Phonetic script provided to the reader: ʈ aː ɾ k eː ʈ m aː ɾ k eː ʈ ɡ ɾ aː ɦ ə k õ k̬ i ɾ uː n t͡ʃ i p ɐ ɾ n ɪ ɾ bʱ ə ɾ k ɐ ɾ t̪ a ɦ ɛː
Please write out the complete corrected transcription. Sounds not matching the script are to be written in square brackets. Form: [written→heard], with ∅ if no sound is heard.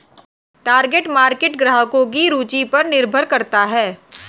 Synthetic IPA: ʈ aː ɾ [k→ɡ] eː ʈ m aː ɾ k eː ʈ ɡ ɾ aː ɦ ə k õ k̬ i ɾ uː [n→∅] t͡ʃ i p ɐ ɾ n ɪ ɾ bʱ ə ɾ k ɐ ɾ t̪ a ɦ ɛː